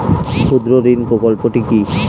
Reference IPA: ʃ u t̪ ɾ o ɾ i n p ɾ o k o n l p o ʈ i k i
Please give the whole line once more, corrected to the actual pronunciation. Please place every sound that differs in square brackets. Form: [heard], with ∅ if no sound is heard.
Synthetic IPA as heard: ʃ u [d̪] ɾ o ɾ i n p ɾ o k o [∅] l p o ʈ i k i